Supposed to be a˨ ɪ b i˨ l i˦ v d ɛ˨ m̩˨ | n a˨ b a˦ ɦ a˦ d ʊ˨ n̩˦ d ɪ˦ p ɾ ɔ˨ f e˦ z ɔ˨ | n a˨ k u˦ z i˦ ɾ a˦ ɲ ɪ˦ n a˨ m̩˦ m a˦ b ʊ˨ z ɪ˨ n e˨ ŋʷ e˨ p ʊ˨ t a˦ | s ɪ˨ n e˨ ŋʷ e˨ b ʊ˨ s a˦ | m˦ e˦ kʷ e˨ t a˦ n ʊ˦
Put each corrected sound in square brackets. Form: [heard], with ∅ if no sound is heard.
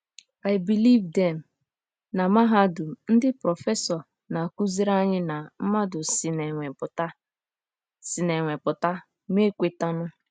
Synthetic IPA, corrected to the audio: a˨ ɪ b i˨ l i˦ v d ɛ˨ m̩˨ | n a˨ [m] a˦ ɦ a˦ d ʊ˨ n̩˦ d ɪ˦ p ɾ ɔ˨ f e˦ [s] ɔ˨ | n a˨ k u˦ z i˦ ɾ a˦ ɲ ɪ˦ n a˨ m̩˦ m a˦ [d] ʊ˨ [s] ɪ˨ n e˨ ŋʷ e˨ p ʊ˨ t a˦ | s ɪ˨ n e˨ ŋʷ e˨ [p] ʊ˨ [t] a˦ | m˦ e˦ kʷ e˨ t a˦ n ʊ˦